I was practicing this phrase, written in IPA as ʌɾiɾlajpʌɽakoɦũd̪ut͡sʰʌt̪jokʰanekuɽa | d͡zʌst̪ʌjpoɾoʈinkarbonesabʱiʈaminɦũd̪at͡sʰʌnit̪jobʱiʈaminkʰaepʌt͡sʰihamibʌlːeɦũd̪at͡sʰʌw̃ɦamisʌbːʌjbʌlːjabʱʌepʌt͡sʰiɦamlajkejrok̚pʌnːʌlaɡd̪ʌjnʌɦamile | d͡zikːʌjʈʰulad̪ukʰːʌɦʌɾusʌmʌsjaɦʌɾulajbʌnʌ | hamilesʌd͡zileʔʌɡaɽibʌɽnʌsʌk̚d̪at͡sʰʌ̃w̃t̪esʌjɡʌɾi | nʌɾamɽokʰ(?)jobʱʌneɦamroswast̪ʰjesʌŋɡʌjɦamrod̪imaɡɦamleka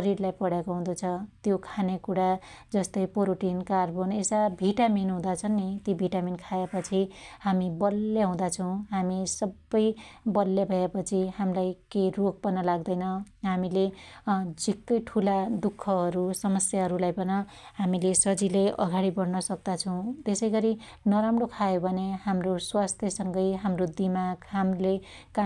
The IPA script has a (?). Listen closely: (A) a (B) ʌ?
A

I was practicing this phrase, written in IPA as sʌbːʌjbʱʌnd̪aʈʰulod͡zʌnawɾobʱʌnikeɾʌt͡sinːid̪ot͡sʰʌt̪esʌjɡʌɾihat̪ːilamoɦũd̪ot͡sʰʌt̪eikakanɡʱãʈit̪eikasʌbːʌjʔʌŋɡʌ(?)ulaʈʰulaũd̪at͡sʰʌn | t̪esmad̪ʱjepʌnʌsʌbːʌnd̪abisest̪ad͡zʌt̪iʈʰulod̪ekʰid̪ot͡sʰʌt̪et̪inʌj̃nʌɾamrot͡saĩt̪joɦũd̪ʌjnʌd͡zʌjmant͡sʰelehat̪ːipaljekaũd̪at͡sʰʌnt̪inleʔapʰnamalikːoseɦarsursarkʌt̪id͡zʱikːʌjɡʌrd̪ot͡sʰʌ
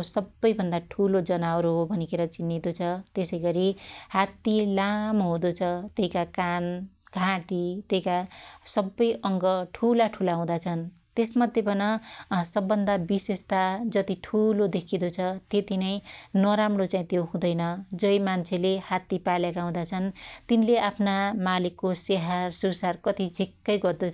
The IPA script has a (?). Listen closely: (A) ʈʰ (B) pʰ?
A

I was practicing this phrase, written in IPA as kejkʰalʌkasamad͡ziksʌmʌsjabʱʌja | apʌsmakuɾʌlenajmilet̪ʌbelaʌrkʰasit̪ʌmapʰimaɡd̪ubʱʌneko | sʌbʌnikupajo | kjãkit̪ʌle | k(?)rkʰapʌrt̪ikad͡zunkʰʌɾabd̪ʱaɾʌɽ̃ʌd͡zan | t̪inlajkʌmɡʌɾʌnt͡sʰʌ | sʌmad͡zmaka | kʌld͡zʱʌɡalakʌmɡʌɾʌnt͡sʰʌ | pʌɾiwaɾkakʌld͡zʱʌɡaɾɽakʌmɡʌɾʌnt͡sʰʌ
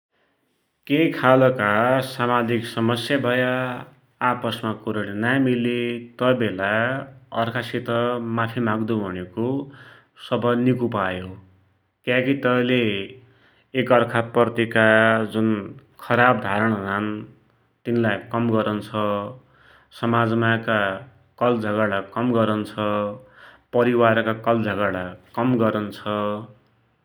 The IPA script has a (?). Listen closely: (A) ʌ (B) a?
A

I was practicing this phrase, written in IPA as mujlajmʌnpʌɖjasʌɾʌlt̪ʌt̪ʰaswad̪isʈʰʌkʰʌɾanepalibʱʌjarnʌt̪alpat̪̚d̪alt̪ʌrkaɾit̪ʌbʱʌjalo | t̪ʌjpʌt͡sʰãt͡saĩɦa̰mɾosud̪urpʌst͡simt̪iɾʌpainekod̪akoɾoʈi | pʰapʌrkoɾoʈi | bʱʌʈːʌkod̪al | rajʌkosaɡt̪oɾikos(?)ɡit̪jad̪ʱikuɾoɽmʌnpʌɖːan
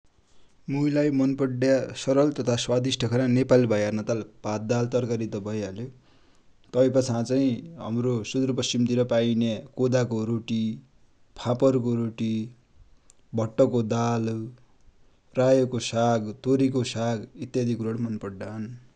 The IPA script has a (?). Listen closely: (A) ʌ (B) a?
B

